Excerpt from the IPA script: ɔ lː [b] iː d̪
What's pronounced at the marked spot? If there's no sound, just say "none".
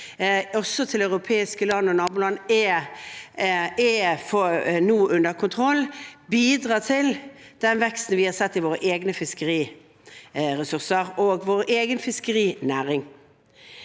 b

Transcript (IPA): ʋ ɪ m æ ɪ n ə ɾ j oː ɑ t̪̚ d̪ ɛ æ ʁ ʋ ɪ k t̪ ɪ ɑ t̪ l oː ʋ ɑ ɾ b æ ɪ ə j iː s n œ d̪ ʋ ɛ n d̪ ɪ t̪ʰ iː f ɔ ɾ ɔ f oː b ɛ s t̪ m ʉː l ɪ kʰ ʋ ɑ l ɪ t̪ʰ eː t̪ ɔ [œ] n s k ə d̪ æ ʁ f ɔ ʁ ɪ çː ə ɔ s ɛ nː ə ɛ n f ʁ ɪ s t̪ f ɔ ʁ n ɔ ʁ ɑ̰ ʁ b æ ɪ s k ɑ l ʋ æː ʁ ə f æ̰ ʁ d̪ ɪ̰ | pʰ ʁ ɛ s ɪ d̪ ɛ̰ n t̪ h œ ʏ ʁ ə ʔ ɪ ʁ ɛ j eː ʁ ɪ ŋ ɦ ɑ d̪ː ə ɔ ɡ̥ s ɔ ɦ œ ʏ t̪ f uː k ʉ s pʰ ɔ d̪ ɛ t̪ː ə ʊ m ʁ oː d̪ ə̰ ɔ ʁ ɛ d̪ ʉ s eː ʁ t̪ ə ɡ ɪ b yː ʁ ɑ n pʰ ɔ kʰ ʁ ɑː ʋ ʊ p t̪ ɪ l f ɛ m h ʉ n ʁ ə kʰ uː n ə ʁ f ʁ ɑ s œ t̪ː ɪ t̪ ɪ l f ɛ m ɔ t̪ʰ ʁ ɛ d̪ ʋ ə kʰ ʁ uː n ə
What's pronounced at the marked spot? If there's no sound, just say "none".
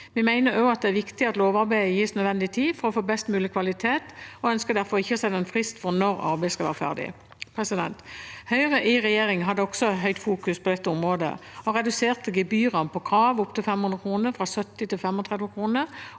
œ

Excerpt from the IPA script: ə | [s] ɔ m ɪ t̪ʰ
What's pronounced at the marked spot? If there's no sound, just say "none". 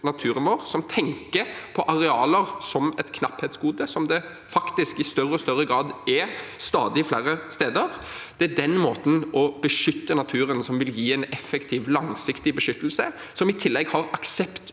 s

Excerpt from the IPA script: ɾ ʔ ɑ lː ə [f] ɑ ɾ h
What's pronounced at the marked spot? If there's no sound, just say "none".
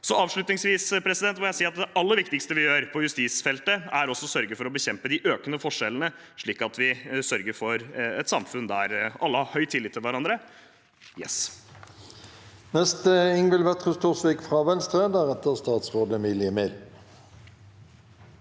h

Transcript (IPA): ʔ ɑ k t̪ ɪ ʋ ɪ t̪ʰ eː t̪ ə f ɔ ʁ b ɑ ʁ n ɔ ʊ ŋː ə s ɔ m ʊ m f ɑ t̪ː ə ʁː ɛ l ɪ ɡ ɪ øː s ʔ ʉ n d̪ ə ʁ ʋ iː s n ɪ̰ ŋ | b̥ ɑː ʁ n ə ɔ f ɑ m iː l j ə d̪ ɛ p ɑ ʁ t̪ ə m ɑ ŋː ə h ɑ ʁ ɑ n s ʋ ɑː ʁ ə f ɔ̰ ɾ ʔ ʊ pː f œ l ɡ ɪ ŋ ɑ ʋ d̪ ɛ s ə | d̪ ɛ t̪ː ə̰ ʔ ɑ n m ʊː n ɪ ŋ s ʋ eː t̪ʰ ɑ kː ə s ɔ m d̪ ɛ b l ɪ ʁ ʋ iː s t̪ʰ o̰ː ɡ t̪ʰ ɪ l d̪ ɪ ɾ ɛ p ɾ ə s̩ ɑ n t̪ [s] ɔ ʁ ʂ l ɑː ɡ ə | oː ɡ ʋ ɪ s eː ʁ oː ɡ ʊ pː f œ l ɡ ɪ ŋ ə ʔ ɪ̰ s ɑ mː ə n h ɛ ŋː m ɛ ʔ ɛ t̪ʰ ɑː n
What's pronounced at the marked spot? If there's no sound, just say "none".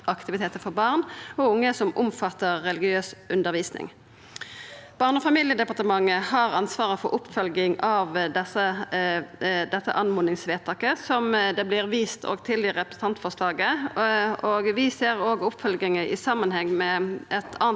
f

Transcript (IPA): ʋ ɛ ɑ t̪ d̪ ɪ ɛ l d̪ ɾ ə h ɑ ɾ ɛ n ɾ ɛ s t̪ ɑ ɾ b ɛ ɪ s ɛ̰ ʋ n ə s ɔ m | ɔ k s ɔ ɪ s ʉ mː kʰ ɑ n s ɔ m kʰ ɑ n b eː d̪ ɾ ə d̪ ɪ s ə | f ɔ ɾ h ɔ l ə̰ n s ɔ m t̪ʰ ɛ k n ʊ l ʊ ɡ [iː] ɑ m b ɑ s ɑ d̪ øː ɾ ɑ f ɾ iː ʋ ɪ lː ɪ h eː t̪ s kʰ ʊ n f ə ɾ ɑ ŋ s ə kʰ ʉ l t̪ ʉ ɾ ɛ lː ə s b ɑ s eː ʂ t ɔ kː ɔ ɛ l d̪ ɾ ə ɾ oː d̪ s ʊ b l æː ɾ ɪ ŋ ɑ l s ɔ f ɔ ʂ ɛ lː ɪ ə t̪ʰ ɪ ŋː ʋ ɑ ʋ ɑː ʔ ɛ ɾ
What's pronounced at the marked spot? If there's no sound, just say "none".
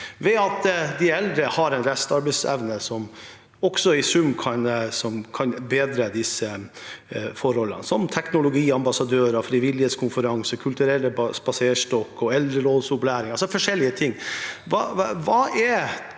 iː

